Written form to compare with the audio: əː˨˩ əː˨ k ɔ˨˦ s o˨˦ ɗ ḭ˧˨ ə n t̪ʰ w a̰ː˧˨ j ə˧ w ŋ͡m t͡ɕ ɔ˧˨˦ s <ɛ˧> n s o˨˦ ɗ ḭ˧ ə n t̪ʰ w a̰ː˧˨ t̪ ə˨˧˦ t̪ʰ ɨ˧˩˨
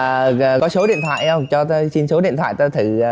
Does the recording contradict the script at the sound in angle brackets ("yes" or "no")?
yes